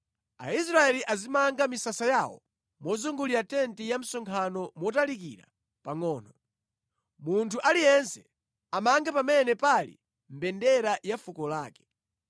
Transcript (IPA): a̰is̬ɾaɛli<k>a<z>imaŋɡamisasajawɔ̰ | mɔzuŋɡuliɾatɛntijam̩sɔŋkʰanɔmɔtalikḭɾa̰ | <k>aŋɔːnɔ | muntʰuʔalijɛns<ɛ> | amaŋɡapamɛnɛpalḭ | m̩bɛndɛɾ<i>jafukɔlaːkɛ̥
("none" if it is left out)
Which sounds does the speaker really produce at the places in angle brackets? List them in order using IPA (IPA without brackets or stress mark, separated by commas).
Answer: ʔ, z, p, ɛ, a